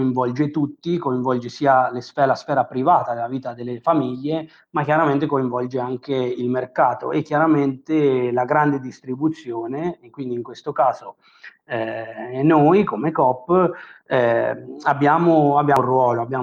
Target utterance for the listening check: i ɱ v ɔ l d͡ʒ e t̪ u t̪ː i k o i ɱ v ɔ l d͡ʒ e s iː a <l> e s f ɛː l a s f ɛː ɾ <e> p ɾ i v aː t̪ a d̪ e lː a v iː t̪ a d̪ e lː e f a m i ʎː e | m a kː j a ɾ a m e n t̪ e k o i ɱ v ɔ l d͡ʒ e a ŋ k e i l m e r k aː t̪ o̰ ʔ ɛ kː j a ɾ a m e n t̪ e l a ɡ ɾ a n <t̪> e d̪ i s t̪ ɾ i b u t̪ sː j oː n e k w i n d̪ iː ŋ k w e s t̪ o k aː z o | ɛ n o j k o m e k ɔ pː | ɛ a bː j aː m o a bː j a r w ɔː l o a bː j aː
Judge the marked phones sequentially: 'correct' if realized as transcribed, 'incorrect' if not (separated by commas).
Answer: correct, incorrect, incorrect